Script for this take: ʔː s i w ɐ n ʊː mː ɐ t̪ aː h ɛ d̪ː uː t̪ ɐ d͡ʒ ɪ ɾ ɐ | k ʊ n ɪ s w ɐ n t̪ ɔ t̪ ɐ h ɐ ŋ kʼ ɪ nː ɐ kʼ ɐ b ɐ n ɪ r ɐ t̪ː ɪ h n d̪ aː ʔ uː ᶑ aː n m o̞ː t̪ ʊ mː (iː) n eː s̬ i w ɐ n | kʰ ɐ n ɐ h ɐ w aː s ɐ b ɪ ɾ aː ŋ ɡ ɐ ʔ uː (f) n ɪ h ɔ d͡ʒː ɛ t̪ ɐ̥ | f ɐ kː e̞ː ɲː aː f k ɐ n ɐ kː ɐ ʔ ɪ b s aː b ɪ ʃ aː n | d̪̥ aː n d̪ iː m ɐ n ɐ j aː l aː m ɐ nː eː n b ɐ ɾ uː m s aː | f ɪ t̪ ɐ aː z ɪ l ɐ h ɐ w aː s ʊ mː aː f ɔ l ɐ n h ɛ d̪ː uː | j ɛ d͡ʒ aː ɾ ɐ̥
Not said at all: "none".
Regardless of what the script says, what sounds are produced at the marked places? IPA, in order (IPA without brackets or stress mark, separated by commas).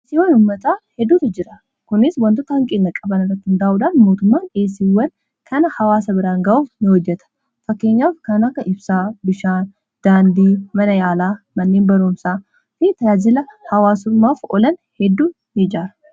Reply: aː, f